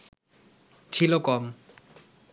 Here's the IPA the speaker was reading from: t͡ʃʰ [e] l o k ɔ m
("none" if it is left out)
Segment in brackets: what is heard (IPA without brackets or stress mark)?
i